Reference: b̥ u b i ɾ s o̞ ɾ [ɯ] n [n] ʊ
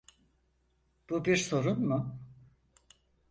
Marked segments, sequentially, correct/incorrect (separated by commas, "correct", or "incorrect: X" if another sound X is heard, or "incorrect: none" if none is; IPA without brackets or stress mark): incorrect: u, incorrect: m